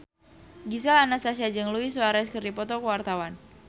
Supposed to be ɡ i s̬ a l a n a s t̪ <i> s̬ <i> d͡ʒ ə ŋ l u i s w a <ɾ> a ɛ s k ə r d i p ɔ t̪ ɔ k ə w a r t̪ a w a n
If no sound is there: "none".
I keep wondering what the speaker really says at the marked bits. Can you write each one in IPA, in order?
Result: a, a, ɾ

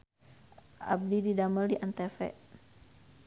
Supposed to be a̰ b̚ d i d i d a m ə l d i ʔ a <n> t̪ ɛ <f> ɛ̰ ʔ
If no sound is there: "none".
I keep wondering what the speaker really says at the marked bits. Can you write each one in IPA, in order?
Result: n, f

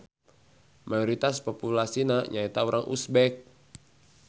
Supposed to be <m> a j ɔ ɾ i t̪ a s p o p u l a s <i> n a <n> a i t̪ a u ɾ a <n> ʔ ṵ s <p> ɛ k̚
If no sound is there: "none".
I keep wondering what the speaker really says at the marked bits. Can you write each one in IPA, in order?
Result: m, i, ɲ, ŋ, b

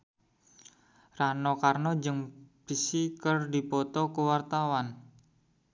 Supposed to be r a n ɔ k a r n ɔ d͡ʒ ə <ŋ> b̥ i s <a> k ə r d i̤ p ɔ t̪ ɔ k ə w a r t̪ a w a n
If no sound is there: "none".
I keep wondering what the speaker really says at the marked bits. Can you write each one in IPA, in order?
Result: ŋ, i

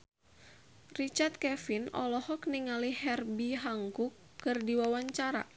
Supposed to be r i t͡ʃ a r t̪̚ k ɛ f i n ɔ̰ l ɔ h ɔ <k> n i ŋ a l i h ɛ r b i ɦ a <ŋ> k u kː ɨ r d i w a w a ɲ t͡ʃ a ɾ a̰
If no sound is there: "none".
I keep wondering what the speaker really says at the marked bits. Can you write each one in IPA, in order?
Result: k, ŋ

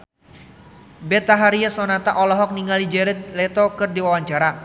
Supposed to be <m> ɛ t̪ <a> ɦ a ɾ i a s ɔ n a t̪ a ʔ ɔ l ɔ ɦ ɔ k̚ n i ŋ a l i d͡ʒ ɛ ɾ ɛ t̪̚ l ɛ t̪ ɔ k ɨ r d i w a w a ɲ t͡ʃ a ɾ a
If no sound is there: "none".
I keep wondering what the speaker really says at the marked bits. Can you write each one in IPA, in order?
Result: b, a

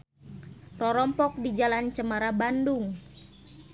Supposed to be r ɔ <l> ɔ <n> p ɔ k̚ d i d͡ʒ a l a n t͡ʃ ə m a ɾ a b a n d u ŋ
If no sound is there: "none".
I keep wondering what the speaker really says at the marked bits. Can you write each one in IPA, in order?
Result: ɾ, m

